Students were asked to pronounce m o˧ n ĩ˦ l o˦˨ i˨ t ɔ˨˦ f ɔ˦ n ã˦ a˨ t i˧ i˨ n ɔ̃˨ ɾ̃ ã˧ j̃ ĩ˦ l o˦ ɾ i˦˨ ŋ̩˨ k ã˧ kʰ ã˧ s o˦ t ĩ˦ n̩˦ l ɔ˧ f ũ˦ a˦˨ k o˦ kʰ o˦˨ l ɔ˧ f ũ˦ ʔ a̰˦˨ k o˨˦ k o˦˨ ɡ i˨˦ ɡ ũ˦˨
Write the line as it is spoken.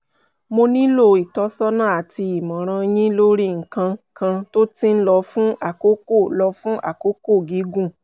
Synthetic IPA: m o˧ n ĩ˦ l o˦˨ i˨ t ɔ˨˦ s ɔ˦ n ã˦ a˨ t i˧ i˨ m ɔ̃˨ ɾ̃ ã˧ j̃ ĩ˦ l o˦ ɾ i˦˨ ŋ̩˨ k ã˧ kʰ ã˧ t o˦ t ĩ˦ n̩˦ l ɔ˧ f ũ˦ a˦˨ k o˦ k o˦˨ l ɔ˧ f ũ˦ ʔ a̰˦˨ k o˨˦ k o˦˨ ɡ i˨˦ ɡ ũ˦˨